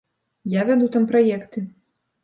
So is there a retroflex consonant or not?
no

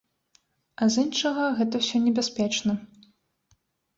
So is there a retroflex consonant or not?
yes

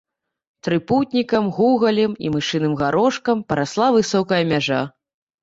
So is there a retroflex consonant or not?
yes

